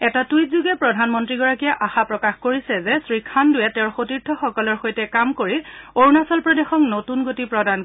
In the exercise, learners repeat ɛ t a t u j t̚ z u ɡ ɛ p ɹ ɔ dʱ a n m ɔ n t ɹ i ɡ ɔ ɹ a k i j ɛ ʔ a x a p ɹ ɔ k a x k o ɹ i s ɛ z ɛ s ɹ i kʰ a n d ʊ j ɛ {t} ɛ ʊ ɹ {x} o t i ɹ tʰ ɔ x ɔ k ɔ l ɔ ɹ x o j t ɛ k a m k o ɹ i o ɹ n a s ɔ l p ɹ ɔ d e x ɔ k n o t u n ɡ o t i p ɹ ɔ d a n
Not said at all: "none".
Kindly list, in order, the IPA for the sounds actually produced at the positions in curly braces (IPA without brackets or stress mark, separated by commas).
t, x